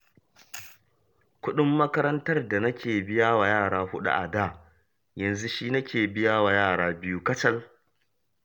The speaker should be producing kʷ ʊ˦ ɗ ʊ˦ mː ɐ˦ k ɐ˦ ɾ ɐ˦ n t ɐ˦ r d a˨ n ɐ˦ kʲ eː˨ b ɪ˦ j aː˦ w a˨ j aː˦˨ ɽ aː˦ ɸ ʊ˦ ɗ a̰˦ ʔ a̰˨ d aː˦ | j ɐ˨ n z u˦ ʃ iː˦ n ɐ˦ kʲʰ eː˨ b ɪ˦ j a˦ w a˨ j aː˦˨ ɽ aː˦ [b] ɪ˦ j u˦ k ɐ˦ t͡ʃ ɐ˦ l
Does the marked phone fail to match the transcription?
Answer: no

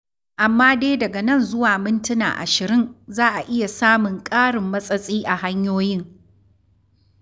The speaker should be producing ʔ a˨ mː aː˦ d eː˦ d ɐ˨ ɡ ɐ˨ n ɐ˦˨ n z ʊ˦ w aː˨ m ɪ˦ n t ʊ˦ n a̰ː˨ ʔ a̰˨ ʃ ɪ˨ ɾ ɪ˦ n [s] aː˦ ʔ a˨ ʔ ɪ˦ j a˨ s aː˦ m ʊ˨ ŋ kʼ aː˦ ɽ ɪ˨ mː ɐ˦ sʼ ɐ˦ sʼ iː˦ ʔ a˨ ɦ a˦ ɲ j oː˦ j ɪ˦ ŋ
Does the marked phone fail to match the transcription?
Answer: yes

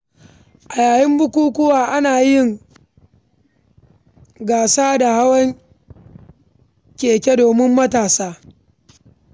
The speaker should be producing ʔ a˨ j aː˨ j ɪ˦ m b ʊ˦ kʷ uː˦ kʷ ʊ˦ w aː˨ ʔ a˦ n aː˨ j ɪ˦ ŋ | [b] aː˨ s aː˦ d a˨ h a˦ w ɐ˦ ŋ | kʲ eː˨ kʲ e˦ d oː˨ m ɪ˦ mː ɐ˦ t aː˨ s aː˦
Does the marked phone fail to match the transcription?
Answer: yes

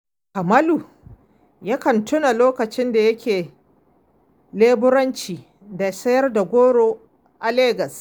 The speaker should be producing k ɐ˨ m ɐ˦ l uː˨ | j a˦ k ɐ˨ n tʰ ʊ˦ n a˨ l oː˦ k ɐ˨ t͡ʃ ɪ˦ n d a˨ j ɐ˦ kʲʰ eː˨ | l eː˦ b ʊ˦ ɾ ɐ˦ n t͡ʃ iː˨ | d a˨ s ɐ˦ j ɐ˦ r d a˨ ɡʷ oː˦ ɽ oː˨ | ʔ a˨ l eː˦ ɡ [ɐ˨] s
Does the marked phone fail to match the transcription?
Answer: no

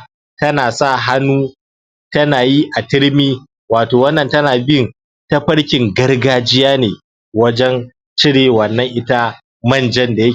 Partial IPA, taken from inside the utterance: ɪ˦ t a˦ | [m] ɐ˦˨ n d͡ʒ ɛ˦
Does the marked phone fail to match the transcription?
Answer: no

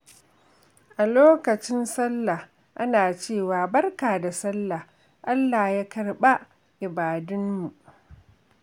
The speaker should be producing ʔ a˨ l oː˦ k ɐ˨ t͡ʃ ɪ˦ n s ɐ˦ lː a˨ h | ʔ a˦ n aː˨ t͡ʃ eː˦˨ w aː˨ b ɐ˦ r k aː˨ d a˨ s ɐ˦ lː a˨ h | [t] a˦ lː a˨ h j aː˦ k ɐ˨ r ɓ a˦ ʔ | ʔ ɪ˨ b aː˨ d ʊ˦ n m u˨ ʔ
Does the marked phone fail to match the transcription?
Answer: yes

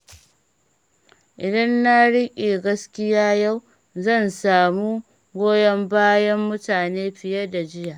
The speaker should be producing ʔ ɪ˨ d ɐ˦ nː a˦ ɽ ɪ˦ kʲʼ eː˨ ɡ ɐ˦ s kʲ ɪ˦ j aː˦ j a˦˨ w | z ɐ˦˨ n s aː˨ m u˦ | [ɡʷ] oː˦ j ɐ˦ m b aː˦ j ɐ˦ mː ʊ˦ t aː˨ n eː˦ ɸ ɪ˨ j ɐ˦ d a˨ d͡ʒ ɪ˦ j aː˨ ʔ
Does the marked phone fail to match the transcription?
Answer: no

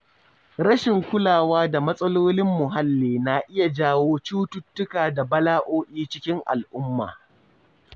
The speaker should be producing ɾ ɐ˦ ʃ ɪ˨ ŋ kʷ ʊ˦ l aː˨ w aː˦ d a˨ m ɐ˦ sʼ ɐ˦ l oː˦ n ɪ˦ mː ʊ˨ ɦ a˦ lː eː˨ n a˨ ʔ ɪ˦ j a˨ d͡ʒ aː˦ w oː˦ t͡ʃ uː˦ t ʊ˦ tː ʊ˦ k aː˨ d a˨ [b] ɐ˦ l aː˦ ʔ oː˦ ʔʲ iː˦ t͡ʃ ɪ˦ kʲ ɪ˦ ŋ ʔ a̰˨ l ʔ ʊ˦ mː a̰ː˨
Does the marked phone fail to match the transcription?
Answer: no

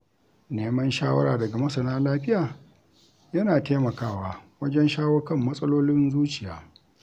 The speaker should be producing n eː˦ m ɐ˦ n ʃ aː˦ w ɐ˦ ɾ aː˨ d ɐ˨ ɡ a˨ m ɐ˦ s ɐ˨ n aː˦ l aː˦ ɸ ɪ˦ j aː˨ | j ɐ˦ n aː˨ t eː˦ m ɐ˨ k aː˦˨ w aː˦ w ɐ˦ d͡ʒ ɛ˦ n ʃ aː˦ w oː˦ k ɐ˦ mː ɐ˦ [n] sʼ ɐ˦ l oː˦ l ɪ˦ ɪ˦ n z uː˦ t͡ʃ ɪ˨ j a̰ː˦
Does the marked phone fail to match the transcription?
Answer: yes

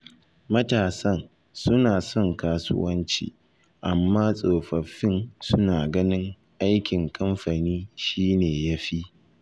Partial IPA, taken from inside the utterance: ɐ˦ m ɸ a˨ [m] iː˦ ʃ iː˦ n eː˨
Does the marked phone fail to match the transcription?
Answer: yes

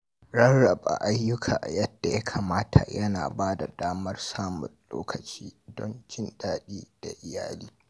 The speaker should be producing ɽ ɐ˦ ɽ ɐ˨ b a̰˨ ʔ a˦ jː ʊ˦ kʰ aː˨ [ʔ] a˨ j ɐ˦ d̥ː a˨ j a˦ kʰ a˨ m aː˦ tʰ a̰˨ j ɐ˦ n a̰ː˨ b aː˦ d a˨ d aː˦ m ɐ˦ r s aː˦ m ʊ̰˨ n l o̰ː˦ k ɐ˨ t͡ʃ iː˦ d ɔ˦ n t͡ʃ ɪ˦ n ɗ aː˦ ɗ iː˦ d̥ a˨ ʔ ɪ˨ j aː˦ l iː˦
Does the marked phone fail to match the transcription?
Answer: no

